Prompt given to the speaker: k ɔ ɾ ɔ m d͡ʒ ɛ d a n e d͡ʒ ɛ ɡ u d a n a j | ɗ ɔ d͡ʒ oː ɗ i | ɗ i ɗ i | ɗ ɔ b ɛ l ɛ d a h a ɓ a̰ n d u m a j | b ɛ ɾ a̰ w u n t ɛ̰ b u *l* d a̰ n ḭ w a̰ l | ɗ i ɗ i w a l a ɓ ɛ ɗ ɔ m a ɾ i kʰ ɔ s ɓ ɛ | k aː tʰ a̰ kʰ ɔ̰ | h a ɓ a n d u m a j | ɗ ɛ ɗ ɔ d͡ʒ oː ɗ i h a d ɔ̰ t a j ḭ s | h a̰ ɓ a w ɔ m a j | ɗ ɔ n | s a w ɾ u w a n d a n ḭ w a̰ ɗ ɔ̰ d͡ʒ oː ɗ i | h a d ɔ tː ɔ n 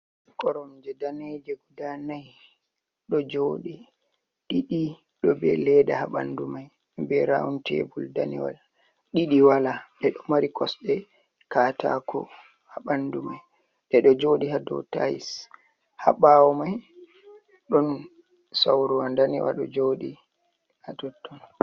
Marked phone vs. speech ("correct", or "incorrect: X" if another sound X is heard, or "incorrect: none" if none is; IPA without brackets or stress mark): correct